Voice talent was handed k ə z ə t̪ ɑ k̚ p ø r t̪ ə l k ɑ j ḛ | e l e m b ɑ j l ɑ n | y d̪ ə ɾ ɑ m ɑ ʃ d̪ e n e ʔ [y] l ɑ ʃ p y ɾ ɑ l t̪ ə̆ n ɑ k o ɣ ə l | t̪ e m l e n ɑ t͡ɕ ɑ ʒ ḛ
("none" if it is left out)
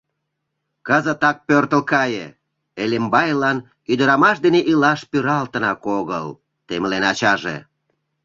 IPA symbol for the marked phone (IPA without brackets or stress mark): i